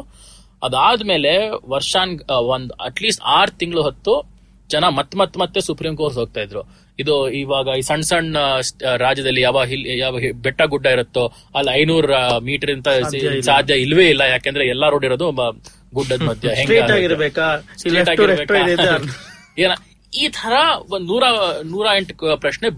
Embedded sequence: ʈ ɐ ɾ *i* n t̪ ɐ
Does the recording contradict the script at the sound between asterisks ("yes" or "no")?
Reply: no